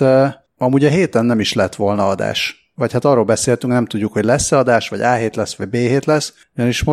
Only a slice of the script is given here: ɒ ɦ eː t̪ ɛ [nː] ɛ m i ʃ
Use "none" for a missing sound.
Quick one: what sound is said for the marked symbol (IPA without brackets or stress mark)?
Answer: nː